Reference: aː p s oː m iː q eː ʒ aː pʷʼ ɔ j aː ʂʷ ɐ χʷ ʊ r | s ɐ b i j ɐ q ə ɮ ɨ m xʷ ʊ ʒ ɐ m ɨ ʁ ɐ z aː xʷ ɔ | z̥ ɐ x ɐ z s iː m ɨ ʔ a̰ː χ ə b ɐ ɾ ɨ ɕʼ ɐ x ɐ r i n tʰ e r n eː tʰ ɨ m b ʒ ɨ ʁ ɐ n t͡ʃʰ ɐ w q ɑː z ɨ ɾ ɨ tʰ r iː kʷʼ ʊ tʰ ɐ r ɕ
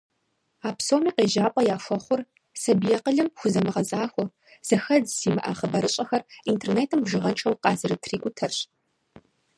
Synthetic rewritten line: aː p s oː m iː q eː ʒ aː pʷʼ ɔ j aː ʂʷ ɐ χʷ ʊ r | s ɐ b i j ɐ q ə ɮ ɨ m xʷ ʊ z ɐ m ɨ ʁ ɐ z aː xʷ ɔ | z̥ ɐ x ɐ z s iː m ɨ ʔ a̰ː χ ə b ɐ ɾ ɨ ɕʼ ɐ x ɐ r i n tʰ e r n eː tʰ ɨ m b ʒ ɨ ʁ ɐ n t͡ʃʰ ɐ w q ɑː z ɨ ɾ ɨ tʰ r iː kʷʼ ʊ tʰ ɐ r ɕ